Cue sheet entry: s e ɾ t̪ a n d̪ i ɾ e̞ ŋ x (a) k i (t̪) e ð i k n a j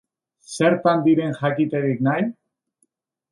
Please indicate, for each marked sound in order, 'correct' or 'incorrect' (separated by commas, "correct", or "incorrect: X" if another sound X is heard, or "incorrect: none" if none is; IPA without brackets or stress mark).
correct, correct